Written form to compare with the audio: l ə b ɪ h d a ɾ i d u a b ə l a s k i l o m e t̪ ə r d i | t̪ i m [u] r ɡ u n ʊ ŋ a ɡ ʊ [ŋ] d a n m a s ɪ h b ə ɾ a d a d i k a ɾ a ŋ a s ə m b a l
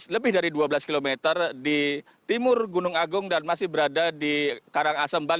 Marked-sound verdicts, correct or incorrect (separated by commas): incorrect, correct